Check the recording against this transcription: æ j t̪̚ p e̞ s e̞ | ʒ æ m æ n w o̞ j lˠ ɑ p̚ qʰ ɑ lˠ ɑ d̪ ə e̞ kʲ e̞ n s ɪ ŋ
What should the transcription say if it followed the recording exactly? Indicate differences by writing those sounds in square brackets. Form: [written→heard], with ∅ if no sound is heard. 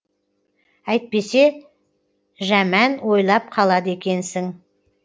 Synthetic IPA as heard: æ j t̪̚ p e̞ s e̞ | ʒ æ m æ n w o̞ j lˠ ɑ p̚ qʰ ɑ lˠ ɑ d̪ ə e̞ kʲ e̞ n s ɪ ŋ